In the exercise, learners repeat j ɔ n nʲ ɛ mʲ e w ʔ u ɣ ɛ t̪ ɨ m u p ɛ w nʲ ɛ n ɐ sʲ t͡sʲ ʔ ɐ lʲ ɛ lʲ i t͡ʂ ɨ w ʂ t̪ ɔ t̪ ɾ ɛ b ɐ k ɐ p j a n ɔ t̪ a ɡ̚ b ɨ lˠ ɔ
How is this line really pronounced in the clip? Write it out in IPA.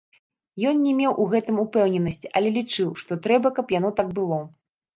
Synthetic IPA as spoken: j ɔ n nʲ ɛ mʲ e w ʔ u ɣ ɛ t̪ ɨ m u p ɛ w nʲ ɛ n ɐ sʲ t͡sʲ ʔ ɐ lʲ ɛ lʲ i t͡ʂ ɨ w ʂ t̪ ɔ t̪ ɾ ɛ b ɐ k ɐ p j a n ɔ t̪ a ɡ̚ b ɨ lˠ ɔ